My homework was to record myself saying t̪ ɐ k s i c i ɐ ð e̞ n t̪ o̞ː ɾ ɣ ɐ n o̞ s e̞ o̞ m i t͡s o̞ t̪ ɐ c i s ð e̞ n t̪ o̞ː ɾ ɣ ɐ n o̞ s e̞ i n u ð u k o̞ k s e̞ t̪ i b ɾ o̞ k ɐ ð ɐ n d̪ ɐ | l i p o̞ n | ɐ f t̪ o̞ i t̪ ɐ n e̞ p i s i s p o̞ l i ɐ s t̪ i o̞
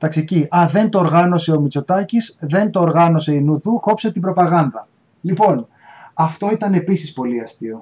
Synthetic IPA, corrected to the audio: t̪ ɐ k s i c i ɐ ð e̞ n t̪ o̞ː ɾ ɣ ɐ n o̞ s e̞ o̞ m i t͡s o̞ t̪ ɐ c i s ð e̞ n t̪ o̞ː ɾ ɣ ɐ n o̞ s e̞ i n u ð u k o̞ p s e̞ t̪ i b ɾ o̞ p ɐ ɣ ɐ n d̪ ɐ | l i p o̞ n | ɐ f t̪ o̞ i t̪ ɐ n e̞ p i s i s p o̞ l i ɐ s t̪ i o̞